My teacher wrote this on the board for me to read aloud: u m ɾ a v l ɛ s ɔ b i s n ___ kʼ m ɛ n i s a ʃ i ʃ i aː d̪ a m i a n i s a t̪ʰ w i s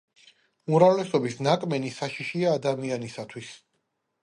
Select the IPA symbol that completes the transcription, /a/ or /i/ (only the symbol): a